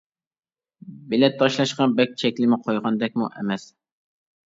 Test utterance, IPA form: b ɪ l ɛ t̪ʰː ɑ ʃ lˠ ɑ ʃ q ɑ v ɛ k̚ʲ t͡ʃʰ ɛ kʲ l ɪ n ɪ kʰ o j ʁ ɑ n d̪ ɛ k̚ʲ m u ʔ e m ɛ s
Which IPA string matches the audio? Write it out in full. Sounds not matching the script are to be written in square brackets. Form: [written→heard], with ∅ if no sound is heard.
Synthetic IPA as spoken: b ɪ l ɛ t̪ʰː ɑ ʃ lˠ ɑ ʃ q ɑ [v→b] ɛ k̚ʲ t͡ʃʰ ɛ kʲ l ɪ [n→m] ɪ [kʰ→qʰ] o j ʁ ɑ n d̪ ɛ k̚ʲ m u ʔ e m ɛ s